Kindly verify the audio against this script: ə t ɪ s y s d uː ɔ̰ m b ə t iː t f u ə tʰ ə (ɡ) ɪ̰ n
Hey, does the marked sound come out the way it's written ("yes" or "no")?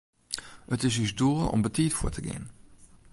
yes